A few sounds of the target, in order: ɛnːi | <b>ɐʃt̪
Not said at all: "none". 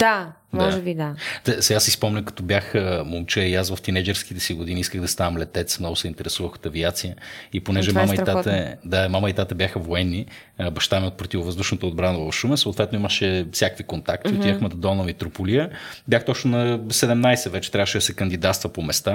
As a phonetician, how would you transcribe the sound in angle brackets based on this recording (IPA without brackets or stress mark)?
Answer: b